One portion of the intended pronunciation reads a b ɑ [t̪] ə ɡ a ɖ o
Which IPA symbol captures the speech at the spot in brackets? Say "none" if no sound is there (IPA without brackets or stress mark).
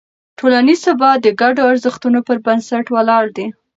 d̪